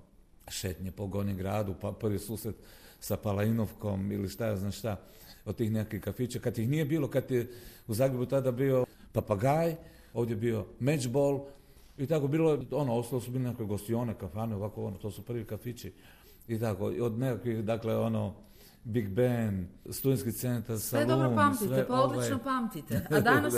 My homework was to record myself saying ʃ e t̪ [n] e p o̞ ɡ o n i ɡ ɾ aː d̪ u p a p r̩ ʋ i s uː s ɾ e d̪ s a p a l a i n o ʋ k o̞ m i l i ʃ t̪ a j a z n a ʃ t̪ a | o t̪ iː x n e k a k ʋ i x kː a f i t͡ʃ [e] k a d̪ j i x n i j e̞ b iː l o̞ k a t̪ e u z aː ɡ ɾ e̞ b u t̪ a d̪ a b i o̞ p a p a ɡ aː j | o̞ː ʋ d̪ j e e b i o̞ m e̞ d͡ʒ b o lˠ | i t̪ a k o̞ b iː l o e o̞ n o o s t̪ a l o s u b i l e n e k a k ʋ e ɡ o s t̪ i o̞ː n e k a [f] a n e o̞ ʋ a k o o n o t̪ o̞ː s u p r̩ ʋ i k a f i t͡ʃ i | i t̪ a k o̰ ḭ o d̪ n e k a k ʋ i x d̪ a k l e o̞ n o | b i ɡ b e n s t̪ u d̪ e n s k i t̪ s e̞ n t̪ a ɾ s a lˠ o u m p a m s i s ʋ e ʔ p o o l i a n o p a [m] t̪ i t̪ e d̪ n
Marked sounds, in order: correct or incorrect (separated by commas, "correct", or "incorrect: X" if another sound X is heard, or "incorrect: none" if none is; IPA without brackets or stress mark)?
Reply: incorrect: ɲ, incorrect: a, correct, correct